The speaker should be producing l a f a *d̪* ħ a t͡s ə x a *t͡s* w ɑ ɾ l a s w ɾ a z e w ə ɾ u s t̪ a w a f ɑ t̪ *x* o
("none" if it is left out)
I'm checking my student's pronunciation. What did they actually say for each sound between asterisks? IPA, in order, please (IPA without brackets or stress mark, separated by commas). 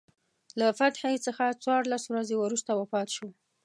t̪, t͡s, ʃ